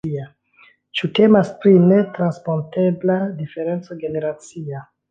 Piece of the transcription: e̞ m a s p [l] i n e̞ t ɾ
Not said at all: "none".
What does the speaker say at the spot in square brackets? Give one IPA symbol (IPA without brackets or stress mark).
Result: ɾ